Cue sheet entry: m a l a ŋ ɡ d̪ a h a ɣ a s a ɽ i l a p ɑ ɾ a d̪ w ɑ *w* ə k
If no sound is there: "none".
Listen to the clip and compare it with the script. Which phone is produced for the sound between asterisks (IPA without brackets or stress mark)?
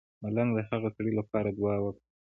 w